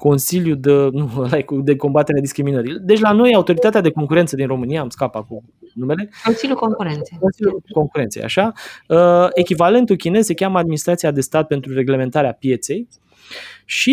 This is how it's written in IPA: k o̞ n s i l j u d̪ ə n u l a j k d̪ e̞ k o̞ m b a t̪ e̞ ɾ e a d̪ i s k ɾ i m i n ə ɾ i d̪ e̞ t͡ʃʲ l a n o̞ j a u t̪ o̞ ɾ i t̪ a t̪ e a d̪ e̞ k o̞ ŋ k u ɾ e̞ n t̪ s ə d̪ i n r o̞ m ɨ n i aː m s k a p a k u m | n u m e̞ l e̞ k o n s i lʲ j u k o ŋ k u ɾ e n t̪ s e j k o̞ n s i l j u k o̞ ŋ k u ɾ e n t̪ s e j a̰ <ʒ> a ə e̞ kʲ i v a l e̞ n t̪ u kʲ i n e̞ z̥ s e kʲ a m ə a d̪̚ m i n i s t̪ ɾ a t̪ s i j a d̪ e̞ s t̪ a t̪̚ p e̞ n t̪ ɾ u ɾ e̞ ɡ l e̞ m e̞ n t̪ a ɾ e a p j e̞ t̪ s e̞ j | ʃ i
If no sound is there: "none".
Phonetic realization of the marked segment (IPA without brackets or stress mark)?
ʃ